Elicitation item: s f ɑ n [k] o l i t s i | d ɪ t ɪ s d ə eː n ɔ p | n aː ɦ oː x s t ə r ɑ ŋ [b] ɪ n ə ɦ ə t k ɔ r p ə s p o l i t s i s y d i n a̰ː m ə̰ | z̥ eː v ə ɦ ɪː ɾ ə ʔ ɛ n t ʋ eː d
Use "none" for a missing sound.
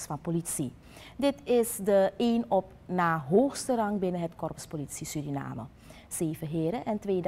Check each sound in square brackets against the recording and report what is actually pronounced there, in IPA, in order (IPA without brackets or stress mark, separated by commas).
p, b